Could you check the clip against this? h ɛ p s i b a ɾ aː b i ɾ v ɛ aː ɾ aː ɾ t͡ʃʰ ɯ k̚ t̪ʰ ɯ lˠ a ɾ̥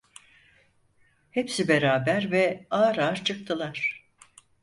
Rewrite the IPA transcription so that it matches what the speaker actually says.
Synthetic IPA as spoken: h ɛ p s i b e ɾ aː b æ ɾ v ɛ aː ɾ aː ɾ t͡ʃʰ ɯ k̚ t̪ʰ ɯ lˠ a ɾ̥